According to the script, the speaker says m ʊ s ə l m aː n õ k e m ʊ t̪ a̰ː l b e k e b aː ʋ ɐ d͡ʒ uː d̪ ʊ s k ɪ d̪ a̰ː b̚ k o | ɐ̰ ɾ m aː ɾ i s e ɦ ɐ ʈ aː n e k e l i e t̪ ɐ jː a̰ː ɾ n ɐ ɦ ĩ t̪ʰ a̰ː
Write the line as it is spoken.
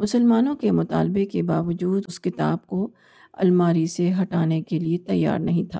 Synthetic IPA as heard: m ʊ s ə l m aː n õ k e m ʊ t̪ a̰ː l b e k e b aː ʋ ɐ d͡ʒ uː d̪ ʊ s k ɪ t̪ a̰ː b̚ k o | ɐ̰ l m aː ɾ i s e ɦ ɐ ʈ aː n e k e l i e t̪ ɐ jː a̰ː ɾ n ɐ ɦ ĩ t̪ʰ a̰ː